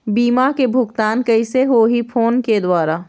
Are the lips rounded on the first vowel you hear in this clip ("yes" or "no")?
no